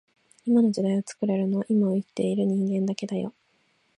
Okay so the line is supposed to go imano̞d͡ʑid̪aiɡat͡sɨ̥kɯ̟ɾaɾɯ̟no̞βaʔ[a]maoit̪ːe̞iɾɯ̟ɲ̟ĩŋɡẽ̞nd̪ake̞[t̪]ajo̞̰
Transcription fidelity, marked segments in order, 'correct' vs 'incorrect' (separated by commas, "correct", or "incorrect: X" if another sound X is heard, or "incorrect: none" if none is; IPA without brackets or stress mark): incorrect: i, incorrect: d̪